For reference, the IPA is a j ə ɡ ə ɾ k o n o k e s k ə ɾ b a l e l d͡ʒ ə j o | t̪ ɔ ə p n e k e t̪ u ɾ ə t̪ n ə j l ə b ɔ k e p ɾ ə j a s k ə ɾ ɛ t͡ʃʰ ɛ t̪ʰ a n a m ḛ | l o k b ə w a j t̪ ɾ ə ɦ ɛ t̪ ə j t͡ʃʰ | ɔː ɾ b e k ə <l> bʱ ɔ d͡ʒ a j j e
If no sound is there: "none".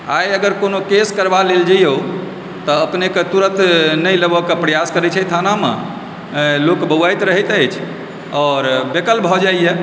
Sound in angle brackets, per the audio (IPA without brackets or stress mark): l